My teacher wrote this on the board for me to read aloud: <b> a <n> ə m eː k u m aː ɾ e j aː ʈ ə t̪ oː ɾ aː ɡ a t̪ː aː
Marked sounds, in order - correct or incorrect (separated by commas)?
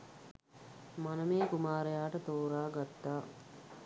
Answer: incorrect, correct